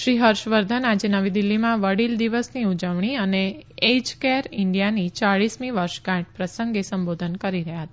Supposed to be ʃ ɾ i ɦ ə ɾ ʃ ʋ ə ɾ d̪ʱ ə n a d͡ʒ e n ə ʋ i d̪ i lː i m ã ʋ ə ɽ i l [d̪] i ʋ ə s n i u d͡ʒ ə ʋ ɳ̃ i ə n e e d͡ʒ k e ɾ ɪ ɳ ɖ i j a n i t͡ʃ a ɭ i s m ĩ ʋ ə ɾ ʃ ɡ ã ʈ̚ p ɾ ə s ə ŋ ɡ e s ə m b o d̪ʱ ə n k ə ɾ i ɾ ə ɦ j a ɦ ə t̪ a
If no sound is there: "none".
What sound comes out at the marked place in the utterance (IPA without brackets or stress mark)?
d̪